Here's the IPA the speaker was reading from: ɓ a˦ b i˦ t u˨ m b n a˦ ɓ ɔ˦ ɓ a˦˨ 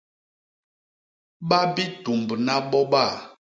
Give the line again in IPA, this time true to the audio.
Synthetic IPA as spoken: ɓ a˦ b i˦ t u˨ m b n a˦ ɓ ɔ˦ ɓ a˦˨